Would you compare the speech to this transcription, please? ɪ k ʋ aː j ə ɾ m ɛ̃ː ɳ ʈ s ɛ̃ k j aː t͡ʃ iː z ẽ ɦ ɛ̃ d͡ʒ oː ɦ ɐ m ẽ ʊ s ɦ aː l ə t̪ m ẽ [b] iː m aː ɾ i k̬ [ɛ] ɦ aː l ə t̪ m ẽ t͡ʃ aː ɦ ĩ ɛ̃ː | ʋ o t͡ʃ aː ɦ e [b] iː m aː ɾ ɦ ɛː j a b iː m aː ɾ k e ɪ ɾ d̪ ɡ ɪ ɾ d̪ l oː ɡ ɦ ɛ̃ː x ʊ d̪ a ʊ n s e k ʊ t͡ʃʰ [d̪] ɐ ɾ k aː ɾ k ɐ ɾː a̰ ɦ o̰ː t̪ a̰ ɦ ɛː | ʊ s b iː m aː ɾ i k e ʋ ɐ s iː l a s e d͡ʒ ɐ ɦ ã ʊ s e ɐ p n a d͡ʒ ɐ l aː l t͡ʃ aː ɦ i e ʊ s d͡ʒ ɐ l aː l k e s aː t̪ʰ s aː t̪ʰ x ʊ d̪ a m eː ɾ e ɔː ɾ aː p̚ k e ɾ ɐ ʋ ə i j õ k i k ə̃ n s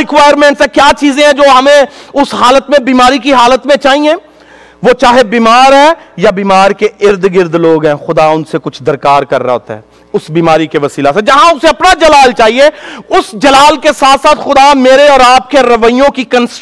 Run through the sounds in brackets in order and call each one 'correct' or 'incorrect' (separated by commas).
correct, incorrect, correct, correct